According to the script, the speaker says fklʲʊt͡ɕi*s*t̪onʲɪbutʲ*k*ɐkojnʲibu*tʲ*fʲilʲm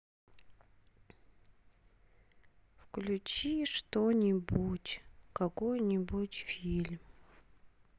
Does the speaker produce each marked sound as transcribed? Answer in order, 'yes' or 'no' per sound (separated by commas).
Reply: no, yes, yes